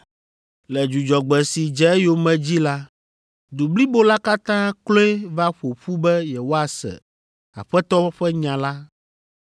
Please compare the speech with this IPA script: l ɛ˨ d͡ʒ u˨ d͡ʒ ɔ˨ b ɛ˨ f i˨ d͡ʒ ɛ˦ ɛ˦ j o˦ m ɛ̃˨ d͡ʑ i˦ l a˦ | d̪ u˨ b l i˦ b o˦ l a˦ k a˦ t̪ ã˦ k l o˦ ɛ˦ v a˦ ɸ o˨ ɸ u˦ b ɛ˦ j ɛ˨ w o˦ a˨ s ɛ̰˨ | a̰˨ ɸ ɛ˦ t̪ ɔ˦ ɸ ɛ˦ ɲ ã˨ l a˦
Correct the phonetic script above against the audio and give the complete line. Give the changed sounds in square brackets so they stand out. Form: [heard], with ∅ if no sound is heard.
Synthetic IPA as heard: l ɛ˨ d͡ʒ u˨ d͡ʒ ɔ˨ [ɡ͡b] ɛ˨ [s] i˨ d͡ʒ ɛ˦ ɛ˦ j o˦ m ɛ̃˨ d͡ʑ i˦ l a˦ | d̪ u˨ b l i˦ b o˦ l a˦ k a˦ t̪ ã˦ k l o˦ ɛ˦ v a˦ ɸ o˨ ɸ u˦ b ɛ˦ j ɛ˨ w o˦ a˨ s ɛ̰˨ | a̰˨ ɸ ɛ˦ t̪ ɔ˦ ɸ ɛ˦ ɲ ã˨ l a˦